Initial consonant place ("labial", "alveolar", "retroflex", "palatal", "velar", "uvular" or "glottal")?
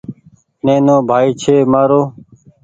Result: alveolar